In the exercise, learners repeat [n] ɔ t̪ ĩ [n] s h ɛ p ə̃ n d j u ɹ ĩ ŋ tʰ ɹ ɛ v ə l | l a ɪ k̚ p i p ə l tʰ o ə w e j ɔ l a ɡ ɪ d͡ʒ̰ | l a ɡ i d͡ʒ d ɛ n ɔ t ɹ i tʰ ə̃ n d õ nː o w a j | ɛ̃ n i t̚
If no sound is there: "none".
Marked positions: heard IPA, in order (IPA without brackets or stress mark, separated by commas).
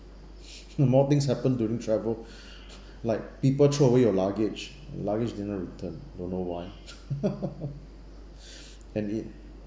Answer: m, ŋ